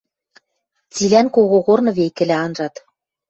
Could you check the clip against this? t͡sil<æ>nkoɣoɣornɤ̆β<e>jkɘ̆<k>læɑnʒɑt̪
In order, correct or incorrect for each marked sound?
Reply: correct, correct, incorrect: none

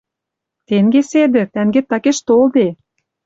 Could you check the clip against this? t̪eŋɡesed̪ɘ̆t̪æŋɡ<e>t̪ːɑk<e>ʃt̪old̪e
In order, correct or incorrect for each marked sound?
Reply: correct, correct

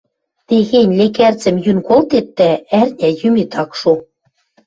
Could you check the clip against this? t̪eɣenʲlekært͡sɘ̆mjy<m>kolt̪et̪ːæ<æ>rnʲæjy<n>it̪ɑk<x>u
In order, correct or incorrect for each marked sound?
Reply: incorrect: n, correct, incorrect: m, incorrect: ʃ

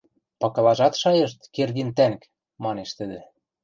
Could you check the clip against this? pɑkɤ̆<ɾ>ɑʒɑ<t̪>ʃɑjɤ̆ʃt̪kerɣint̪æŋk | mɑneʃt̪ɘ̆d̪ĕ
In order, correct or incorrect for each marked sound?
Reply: incorrect: l, correct

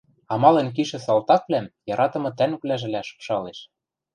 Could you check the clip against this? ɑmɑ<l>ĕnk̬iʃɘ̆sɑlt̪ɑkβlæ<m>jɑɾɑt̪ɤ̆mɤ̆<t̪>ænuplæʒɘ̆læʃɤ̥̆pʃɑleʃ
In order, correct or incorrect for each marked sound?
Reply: correct, correct, correct

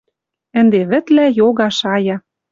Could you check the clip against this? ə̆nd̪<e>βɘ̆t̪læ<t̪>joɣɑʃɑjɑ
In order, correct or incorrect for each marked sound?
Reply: correct, incorrect: none

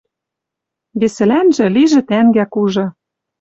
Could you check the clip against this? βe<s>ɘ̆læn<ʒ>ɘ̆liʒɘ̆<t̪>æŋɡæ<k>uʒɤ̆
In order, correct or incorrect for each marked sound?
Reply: correct, correct, correct, correct

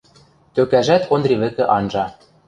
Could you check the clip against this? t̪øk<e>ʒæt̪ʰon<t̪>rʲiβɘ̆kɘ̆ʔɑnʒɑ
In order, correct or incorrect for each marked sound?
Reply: incorrect: æ, incorrect: d̪

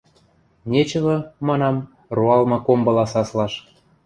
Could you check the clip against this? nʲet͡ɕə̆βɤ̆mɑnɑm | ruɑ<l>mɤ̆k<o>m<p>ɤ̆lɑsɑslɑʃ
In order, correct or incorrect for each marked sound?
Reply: correct, correct, incorrect: b

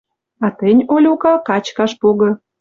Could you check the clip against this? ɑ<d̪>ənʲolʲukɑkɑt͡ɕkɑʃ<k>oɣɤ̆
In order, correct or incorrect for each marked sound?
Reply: incorrect: t̪, incorrect: p

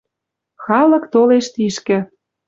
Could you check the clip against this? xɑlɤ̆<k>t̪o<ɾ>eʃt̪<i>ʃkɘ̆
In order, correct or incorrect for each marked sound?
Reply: correct, incorrect: l, correct

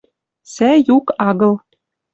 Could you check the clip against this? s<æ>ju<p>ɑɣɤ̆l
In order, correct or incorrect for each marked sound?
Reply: correct, incorrect: k

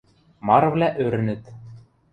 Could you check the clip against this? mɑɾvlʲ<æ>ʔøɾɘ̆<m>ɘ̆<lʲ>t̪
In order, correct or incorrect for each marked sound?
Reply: correct, incorrect: n, incorrect: none

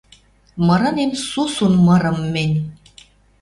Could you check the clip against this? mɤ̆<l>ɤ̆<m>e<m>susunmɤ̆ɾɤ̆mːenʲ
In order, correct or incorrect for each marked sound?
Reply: incorrect: ɾ, incorrect: n, correct

